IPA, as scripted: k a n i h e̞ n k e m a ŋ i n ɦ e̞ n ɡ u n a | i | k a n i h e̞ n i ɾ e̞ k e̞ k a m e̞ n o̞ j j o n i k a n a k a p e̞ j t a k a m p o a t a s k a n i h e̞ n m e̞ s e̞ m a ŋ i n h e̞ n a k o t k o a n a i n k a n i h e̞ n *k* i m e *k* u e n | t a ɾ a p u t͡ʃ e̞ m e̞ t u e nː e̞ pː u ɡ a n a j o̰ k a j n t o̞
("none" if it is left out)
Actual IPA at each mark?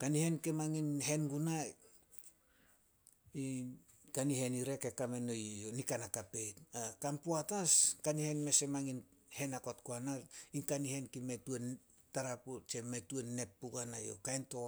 k, t

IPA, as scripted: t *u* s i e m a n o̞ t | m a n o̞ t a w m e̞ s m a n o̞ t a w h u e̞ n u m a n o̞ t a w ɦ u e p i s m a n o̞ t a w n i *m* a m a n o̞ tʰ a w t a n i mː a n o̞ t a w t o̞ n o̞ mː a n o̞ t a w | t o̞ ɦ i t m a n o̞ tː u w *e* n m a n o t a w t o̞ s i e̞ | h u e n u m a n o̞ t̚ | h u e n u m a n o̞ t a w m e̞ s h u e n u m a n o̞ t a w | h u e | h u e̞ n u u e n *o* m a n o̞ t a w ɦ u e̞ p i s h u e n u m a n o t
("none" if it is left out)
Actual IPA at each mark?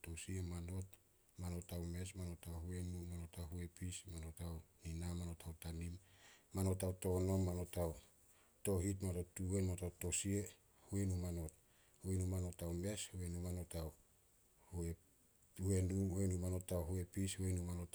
o, n, e, u

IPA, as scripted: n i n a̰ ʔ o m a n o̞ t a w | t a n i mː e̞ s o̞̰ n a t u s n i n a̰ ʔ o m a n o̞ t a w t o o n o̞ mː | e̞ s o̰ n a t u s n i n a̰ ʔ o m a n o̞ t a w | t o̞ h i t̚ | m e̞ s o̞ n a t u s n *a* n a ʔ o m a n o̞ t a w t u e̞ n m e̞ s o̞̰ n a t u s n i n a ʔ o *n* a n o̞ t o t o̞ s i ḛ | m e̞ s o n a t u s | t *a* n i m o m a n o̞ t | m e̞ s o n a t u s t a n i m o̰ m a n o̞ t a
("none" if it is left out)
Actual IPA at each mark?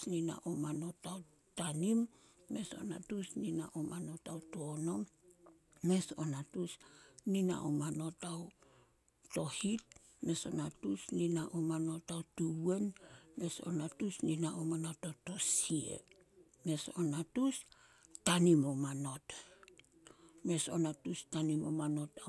i, m, a

